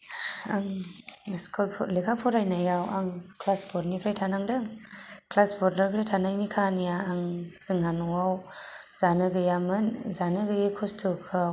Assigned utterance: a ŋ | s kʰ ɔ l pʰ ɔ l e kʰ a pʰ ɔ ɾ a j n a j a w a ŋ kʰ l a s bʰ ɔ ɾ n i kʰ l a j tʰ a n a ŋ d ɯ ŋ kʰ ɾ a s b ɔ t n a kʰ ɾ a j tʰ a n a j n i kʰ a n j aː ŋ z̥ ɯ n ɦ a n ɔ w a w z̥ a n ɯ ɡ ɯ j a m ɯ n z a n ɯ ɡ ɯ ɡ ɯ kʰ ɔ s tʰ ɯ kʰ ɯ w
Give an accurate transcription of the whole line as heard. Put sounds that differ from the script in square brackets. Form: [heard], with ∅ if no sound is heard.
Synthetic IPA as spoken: a ŋ | s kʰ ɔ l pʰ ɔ l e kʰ a pʰ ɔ ɾ a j n a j a w a ŋ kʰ l a s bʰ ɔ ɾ n i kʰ [ɾ] a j tʰ a n a ŋ d ɯ ŋ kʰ [l] a s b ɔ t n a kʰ ɾ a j tʰ a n a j n i kʰ a n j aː ŋ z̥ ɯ [ŋ] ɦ a n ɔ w a w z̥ a n ɯ ɡ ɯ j a m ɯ n z a n ɯ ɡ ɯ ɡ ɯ kʰ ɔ s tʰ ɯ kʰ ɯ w

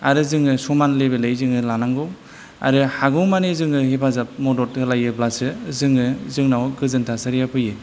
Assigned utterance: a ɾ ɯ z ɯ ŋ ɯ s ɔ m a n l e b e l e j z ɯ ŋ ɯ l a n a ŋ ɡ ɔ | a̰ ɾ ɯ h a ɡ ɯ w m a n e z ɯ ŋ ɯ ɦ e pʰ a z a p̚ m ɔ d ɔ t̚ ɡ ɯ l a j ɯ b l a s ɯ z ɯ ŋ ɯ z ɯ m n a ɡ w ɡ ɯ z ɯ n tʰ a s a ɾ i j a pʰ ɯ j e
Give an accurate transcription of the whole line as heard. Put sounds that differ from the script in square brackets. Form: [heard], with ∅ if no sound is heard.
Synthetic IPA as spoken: a ɾ ɯ z ɯ ŋ ɯ s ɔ m a n l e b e l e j z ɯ ŋ ɯ l a n a ŋ ɡ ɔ | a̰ ɾ ɯ h a ɡ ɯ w m a n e z ɯ ŋ ɯ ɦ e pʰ a z a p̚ m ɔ d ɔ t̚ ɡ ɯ l a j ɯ b l a s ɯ z ɯ ŋ ɯ z ɯ [ŋ] n a [∅] w ɡ ɯ z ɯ n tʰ a s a ɾ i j a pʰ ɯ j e

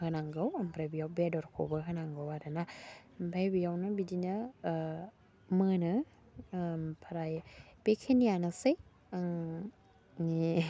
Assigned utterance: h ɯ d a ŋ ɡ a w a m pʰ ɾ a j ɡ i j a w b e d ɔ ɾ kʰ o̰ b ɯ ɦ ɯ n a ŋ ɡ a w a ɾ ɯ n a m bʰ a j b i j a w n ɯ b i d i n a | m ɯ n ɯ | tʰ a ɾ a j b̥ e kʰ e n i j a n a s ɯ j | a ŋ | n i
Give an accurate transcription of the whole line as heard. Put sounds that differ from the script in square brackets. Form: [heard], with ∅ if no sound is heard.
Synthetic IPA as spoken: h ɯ [n] a ŋ ɡ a w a m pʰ ɾ a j [b] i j a w b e d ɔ ɾ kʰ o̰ b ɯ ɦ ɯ n a ŋ ɡ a w a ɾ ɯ n a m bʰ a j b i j a w n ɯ b i d i n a | m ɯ n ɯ | [pʰ] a ɾ a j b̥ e kʰ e n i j a n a s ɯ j | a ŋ | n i

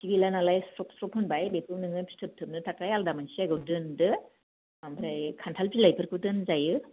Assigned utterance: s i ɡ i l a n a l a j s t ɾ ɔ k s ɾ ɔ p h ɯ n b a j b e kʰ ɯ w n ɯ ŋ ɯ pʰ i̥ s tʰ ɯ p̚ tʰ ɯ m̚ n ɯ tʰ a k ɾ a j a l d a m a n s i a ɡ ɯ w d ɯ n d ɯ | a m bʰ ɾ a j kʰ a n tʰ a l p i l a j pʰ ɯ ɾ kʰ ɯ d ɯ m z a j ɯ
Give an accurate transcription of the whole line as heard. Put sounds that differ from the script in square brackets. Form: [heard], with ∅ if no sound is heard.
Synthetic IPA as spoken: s i ɡ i l a n a l a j s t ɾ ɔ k s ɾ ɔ p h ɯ n b a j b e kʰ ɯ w n ɯ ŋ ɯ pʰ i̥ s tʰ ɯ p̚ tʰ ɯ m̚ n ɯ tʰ a k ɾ a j a l d a m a n s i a ɡ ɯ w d ɯ n d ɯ | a m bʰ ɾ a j kʰ a n tʰ a l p i l a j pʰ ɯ ɾ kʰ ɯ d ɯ [n] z a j ɯ

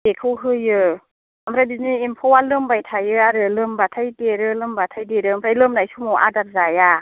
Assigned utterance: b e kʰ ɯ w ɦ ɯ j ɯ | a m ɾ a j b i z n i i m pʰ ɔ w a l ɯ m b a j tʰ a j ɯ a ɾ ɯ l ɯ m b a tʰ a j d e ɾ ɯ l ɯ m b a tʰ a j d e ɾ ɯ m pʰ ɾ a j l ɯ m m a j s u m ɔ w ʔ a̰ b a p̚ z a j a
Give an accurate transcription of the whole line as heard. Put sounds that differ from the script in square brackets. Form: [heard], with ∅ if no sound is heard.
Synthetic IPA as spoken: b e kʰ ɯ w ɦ ɯ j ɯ | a m ɾ a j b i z n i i m pʰ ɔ w a l ɯ m b a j tʰ a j ɯ a ɾ ɯ l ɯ m b a tʰ a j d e ɾ ɯ l ɯ m b a tʰ a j d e ɾ ɯ m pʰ ɾ a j l ɯ m [n] a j s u m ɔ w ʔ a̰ [d] a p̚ z a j a

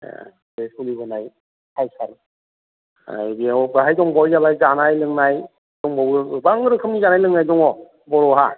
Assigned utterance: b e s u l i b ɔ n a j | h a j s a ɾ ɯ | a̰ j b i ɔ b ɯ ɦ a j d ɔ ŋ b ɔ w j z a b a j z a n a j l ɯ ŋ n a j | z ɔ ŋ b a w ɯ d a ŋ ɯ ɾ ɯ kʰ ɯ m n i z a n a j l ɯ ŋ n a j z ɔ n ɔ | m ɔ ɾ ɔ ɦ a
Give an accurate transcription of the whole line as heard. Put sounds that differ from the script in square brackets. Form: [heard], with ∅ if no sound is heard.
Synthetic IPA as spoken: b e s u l i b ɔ n a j | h a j s a ɾ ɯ | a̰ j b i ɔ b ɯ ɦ a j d ɔ ŋ b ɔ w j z a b a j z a n a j l ɯ ŋ n a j | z ɔ ŋ b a w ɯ [b] a ŋ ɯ ɾ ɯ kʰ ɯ m n i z a n a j l ɯ ŋ n a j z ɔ [ŋ] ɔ | [b] ɔ ɾ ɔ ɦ a

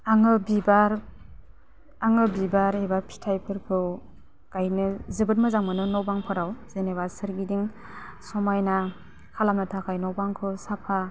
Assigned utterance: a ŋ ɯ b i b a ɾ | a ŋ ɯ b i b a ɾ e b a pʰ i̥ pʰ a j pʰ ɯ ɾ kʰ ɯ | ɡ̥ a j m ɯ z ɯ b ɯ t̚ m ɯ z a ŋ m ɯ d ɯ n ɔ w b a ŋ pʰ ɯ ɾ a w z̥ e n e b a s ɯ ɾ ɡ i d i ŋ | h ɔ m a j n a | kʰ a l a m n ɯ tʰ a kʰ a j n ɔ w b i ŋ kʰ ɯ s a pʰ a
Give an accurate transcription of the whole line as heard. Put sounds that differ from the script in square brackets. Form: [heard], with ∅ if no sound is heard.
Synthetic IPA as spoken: a ŋ ɯ b i b a ɾ | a ŋ ɯ b i b a ɾ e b a pʰ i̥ [tʰ] a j pʰ ɯ ɾ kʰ ɯ | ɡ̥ a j [n] ɯ z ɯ b ɯ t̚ m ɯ z a ŋ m ɯ [n] ɯ n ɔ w b a ŋ pʰ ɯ ɾ a w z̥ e n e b a s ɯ ɾ ɡ i d i ŋ | [s] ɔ m a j n a | kʰ a l a m n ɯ tʰ a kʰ a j n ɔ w b [a] ŋ kʰ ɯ s a pʰ a

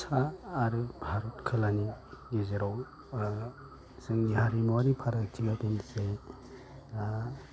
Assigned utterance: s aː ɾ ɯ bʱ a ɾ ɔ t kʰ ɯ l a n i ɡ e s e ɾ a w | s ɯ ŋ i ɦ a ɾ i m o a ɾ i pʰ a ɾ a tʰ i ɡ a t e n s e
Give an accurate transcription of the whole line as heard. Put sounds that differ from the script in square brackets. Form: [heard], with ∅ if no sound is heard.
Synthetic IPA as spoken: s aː ɾ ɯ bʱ a ɾ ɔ t kʰ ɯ l a n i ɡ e [z] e ɾ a w | s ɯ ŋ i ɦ a ɾ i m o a ɾ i pʰ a ɾ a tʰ i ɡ a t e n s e

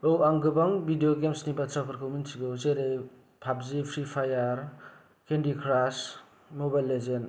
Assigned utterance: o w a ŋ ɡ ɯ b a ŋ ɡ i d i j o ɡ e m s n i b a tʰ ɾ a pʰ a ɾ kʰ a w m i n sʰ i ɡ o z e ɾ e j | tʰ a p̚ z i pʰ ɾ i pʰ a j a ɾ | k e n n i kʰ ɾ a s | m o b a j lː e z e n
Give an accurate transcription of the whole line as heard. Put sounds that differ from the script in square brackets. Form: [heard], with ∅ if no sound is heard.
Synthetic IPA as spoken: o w a ŋ ɡ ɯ b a ŋ [b] i d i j o ɡ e m s n i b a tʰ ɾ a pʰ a ɾ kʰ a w m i n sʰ i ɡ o z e ɾ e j | [pʰ] a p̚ z i pʰ ɾ i pʰ a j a ɾ | k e n [d] i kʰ ɾ a s | m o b a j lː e z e n

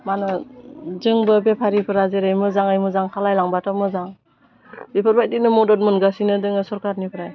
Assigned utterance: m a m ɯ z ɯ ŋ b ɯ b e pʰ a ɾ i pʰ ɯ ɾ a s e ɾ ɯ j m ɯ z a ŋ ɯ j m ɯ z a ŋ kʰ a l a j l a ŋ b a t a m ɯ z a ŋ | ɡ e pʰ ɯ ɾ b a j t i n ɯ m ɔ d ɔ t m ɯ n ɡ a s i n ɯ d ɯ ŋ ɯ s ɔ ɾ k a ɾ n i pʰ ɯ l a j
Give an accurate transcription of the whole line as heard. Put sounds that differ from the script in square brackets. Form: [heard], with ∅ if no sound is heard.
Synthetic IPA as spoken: m a [n] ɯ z ɯ ŋ b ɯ b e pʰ a ɾ i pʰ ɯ ɾ a [z] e ɾ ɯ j m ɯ z a ŋ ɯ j m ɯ z a ŋ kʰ a l a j l a ŋ b a t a m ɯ z a ŋ | [b] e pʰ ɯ ɾ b a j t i n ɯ m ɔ d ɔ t m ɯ n ɡ a s i n ɯ d ɯ ŋ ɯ s ɔ ɾ k a ɾ n i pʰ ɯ [ɾ] a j

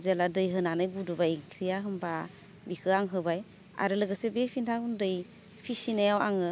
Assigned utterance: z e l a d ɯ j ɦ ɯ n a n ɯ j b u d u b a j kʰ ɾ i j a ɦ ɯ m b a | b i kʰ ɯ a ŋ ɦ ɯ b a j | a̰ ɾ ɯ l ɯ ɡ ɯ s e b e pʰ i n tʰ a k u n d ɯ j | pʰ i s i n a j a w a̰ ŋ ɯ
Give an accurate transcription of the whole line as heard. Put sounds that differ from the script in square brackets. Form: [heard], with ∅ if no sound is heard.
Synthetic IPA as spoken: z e l a d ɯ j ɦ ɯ n a n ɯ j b u d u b a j kʰ ɾ i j a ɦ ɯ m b a | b i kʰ ɯ a ŋ ɦ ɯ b a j | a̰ ɾ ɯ l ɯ ɡ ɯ s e b e pʰ i n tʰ a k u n d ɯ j | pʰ i s i n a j a w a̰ ŋ ɯ

